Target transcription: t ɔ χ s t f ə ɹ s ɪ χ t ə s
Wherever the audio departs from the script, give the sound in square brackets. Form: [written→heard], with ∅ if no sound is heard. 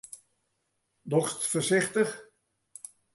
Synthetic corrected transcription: [t→d] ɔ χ s t f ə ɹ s ɪ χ t ə [s→χ]